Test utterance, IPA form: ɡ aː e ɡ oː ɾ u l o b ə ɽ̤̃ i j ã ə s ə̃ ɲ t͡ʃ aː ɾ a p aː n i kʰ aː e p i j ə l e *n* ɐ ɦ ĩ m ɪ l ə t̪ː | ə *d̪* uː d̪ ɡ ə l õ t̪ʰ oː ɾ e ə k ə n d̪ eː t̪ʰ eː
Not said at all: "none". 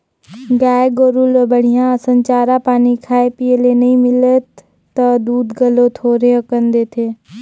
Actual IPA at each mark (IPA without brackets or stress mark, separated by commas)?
n, d̪